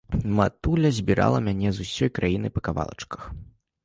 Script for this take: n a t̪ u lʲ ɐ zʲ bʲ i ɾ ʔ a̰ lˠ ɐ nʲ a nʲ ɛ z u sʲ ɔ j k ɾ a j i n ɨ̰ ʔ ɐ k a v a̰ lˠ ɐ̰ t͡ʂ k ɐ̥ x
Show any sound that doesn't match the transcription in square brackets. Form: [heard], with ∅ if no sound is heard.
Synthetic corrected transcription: [m] a t̪ u lʲ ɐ zʲ bʲ i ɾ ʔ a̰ lˠ ɐ [mʲ] a nʲ ɛ z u sʲ ɔ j k ɾ a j i n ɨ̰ [p] ɐ k a v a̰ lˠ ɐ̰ t͡ʂ k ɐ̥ x